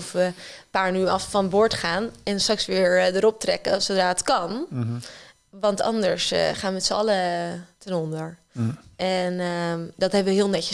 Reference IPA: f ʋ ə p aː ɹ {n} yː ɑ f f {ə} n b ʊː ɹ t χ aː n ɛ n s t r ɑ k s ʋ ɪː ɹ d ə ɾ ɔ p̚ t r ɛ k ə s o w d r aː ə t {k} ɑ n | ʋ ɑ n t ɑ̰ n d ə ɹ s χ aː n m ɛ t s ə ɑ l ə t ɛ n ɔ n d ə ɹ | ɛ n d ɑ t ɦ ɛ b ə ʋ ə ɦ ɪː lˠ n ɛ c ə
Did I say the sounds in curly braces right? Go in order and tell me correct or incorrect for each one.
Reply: correct, incorrect: ɑ, correct

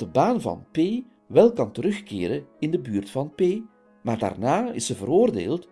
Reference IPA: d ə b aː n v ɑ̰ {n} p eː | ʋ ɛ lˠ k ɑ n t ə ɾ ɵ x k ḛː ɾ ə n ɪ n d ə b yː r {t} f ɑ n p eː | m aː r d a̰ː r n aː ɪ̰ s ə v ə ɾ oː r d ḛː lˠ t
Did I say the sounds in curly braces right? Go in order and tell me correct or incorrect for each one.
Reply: correct, correct

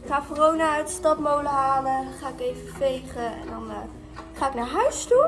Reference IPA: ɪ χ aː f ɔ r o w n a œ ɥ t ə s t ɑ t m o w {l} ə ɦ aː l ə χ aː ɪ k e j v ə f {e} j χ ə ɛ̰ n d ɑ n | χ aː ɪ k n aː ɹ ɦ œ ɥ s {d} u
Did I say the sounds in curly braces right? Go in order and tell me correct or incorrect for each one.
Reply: correct, correct, incorrect: t

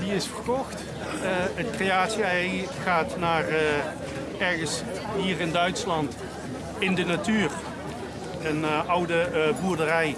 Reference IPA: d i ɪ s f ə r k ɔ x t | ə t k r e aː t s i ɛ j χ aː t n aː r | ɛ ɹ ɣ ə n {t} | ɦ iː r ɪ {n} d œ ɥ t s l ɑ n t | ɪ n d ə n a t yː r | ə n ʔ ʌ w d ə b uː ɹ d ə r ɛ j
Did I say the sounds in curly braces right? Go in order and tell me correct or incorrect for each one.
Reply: incorrect: s, correct

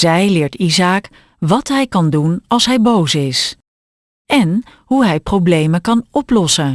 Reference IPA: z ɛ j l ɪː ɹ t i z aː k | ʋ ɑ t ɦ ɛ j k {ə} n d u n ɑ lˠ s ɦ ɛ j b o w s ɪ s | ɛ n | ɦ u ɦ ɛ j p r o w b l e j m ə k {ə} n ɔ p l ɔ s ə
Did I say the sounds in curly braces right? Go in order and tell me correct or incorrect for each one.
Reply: incorrect: ɑ, incorrect: ɑ

